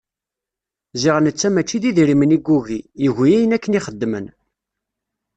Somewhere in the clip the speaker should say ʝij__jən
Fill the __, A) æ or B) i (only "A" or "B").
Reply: A